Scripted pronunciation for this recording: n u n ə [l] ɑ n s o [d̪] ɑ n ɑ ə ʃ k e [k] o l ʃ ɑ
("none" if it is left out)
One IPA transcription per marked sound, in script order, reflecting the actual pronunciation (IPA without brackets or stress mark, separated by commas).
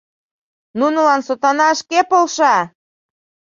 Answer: l, t̪, p